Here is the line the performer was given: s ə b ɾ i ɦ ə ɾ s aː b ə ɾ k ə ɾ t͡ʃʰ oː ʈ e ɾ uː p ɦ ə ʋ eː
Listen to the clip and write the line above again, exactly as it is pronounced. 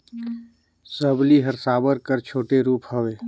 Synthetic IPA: s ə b l i ɦ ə ɾ s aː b ə ɾ k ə ɾ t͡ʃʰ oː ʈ e ɾ uː p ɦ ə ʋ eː